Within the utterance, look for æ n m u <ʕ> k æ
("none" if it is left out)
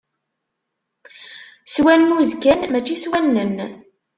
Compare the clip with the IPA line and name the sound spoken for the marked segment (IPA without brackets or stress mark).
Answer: z